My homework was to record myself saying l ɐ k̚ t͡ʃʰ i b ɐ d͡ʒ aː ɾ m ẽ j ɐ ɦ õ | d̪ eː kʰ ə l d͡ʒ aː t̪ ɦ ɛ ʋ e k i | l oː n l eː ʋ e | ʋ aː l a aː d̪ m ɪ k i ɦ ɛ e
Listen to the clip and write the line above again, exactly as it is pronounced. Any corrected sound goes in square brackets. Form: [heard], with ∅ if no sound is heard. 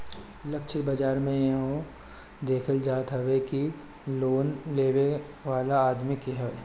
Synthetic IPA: l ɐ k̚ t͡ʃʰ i b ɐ d͡ʒ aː ɾ m ẽ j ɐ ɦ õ | d̪ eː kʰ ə l d͡ʒ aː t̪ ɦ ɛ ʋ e k i | l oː n l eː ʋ e | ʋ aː l a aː d̪ m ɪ k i ɦ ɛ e